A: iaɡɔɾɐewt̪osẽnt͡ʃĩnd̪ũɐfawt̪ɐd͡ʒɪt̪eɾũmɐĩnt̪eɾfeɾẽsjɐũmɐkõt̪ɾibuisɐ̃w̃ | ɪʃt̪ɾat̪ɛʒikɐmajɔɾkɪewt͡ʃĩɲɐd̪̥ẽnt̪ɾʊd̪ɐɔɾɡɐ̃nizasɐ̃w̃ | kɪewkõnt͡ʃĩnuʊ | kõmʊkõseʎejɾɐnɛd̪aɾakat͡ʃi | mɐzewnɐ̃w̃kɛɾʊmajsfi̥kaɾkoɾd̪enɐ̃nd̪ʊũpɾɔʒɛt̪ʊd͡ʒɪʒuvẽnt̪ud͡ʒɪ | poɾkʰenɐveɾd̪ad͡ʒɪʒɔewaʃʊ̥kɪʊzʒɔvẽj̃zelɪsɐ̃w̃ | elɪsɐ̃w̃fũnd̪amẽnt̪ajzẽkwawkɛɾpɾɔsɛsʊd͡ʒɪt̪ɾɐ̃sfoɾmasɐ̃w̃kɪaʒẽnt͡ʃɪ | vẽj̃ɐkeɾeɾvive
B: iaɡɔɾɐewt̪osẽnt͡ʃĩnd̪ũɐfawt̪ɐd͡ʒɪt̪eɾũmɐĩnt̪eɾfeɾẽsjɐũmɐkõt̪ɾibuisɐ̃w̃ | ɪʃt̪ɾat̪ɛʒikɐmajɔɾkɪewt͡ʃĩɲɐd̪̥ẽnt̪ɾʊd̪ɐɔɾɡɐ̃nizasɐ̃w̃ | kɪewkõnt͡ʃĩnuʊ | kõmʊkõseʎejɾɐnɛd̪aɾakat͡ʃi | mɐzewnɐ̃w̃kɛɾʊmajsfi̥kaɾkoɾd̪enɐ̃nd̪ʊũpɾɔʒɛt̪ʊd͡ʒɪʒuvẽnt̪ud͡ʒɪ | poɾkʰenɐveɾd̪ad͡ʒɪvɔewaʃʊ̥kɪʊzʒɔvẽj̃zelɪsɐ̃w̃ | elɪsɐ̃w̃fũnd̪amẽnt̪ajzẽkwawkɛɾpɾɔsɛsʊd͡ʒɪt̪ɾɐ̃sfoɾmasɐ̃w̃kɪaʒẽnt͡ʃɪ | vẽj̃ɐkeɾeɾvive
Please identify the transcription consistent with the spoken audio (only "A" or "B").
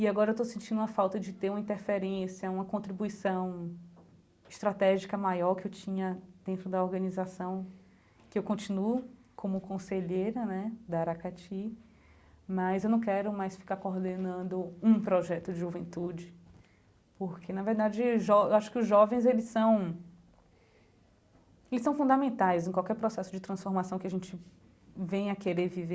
A